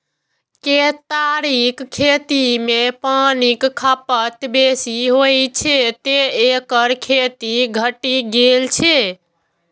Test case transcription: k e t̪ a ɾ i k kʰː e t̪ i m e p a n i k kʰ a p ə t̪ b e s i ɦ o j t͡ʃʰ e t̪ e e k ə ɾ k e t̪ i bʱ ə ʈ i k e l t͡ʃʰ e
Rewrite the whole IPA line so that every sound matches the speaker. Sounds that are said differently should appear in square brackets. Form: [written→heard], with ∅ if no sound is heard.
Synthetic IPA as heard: k e t̪ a ɾ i k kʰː e t̪ i m e p a n i k kʰ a p ə t̪ b e s i ɦ o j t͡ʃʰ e t̪ e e k ə ɾ [k→kʰ] e t̪ i [bʱ→ɡʱ] ə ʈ i [k→ɡ] e l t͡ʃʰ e